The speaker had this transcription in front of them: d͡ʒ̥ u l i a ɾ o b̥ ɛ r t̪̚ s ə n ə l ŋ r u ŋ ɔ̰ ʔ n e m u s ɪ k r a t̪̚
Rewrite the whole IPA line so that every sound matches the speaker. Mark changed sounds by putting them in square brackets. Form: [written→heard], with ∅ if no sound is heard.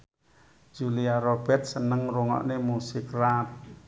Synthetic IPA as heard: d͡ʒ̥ u l i a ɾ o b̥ ɛ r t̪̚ s ə n ə [l→∅] ŋ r u ŋ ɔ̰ ʔ n e m u s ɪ k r a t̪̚